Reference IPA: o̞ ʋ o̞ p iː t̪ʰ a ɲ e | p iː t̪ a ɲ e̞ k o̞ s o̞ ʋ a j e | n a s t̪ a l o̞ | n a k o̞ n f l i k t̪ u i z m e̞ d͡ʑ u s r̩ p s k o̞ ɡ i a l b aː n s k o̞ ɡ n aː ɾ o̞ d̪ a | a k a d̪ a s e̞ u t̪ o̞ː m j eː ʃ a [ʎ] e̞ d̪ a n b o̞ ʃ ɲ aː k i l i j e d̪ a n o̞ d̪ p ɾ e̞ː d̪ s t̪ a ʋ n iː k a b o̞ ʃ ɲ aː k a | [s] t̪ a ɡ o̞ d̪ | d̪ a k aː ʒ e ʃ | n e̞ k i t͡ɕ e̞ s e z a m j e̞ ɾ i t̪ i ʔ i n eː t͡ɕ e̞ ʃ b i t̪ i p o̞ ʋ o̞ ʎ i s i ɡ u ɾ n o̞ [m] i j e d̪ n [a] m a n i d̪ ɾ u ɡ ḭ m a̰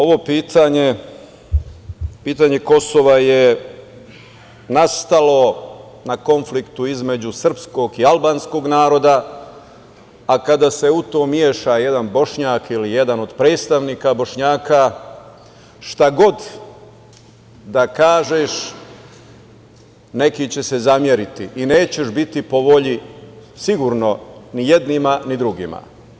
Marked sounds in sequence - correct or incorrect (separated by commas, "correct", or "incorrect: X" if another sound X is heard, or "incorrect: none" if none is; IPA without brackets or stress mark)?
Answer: incorrect: j, incorrect: ʃ, incorrect: n, incorrect: i